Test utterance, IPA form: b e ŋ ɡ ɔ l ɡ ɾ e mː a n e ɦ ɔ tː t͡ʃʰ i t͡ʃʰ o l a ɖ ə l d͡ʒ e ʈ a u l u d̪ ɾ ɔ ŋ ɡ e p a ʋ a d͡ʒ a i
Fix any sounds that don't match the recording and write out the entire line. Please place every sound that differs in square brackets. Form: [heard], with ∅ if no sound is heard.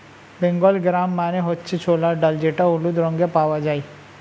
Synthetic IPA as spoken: b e ŋ ɡ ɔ l ɡ ɾ [a] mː a n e ɦ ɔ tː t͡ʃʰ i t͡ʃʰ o l a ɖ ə l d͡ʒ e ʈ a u l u d̪ ɾ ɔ ŋ ɡ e p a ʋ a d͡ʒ a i

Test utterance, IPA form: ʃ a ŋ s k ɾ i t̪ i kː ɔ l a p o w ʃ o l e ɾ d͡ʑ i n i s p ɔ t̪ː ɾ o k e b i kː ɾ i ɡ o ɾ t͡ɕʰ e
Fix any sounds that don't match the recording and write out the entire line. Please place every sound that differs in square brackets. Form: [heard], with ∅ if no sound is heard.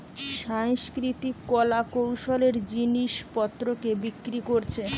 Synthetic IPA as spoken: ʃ a ŋ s k ɾ i t̪ i kː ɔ l a [k] o w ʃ o l e ɾ d͡ʑ i n i [ʃ] p ɔ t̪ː ɾ o k e b i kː ɾ i [k] o ɾ t͡ɕʰ e

